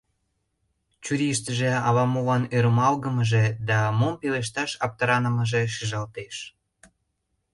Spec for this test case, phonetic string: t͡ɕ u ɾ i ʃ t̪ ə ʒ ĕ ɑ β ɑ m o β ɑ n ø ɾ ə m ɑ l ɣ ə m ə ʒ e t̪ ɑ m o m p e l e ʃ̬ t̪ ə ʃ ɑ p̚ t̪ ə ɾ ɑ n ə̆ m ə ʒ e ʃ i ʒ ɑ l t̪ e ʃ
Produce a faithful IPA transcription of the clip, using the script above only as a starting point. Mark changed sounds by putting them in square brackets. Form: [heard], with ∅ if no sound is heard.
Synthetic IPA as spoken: t͡ɕ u ɾ i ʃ t̪ ə ʒ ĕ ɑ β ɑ m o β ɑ n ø ɾ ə m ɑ l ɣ ə m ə ʒ e [d̪] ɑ m o m p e l e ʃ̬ t̪ [ɑ] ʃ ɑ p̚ t̪ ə ɾ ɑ n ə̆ m ə ʒ e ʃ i ʒ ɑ l t̪ e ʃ